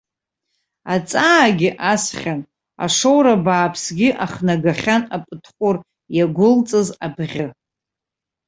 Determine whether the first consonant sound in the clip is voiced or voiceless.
voiceless